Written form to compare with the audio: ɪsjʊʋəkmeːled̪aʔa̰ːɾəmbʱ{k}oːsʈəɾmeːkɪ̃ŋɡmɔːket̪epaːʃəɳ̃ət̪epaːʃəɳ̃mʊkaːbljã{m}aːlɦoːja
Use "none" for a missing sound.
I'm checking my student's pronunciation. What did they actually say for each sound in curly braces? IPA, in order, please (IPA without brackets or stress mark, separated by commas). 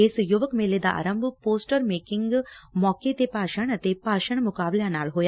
p, n